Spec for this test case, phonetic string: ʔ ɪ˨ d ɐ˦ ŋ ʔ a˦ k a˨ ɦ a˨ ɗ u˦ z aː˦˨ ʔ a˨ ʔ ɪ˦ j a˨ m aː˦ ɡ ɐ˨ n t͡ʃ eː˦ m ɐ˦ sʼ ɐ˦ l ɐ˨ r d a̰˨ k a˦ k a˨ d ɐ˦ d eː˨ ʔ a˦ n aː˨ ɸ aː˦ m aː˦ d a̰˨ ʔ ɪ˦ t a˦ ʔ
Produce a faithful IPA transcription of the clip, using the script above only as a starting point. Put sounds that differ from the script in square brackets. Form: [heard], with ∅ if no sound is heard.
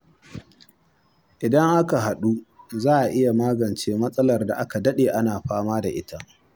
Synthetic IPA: ʔ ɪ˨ d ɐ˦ ŋ ʔ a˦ k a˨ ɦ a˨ ɗ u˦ z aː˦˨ ʔ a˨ ʔ ɪ˦ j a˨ m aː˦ ɡ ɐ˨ n t͡ʃ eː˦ m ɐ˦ sʼ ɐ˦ l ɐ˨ r d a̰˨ [ʔ] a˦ k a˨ d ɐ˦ [ɗ] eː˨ ʔ a˦ n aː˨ ɸ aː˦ m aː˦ d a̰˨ ʔ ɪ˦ t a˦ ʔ